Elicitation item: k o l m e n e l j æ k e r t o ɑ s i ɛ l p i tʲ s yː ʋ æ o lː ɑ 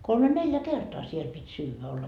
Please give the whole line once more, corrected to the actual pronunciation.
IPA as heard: k o l m e n e l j æ k e r t o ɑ s i e l p i tʲ s yː ʋ æ o lː ɑ